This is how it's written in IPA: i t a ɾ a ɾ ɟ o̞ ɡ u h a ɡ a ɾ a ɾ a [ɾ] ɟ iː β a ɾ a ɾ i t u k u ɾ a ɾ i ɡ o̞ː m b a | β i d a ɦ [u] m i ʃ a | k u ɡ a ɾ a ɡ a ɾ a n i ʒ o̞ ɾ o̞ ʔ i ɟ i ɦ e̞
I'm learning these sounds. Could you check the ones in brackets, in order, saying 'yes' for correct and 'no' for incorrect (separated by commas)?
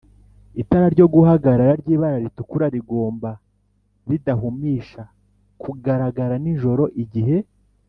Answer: yes, yes